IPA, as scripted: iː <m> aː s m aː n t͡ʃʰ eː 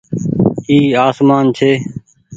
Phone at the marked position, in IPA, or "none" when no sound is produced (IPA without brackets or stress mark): none